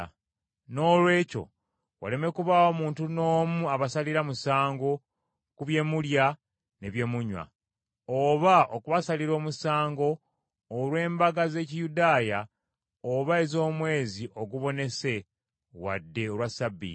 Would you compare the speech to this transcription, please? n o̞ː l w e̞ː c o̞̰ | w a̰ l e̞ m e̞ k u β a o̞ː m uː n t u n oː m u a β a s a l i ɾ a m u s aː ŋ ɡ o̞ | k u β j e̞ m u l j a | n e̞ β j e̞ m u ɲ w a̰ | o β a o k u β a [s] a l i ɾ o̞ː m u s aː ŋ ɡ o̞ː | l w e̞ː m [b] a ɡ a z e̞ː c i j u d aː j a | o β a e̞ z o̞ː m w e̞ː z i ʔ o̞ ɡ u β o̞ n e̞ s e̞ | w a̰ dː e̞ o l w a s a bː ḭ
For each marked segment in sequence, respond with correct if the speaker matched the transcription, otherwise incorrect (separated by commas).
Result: correct, correct